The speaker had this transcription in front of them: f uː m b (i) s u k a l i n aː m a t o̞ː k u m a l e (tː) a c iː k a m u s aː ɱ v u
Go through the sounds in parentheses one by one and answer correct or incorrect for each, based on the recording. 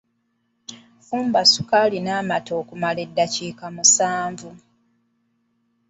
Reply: incorrect: a, incorrect: dː

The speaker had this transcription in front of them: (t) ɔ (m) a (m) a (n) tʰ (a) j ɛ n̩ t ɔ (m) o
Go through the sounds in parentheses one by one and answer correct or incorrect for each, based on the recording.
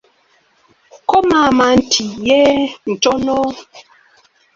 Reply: incorrect: k, correct, correct, correct, incorrect: i, incorrect: n

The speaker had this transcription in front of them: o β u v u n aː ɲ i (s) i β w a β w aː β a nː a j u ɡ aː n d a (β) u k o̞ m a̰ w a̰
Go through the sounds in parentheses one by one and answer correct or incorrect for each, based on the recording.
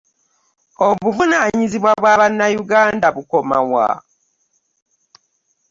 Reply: incorrect: z, correct

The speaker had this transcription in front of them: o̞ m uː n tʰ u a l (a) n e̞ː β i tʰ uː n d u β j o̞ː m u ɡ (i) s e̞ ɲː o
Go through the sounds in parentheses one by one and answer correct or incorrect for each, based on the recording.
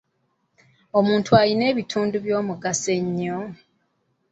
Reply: incorrect: i, incorrect: a

